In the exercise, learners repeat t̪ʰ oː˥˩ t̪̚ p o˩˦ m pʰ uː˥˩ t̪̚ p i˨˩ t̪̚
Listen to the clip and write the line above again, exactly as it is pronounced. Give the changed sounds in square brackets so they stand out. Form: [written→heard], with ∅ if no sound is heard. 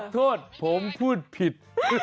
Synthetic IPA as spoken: t̪ʰ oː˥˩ t̪̚ [p→pʰ] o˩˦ m pʰ uː˥˩ t̪̚ [p→pʰ] i˨˩ t̪̚